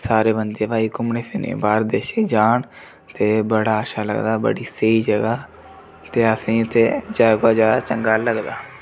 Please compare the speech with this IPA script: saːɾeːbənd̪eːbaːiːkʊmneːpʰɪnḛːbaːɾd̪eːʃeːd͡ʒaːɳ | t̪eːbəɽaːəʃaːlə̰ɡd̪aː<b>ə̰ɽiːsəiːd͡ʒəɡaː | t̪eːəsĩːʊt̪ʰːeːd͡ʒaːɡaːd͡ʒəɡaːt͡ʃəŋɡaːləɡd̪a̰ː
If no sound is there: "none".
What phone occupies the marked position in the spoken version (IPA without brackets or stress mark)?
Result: b